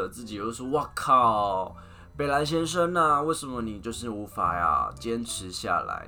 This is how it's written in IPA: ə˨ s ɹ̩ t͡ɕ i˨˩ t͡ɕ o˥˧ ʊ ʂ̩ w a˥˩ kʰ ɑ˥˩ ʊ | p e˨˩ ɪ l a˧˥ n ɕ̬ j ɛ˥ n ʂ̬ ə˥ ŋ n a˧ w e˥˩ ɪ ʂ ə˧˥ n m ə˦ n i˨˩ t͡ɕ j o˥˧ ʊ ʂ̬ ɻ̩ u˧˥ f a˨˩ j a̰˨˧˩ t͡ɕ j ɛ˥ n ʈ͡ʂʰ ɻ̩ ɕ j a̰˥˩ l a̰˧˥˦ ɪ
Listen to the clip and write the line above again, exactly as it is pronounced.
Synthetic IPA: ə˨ t͡s ɹ̩ t͡ɕ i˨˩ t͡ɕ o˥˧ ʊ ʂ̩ w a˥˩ kʰ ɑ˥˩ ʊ | p e˨˩ ɪ l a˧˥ n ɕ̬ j ɛ˥ n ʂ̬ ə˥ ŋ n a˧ w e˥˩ ɪ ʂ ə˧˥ n m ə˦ n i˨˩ t͡ɕ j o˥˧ ʊ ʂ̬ ɻ̩ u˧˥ f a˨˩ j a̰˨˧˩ t͡ɕ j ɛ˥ n ʈ͡ʂʰ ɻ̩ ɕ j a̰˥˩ l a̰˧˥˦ ɪ